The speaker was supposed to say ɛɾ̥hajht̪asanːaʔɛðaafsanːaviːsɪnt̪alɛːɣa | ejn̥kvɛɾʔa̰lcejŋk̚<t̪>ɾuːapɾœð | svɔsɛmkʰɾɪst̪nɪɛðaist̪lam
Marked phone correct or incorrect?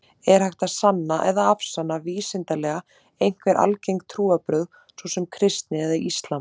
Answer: incorrect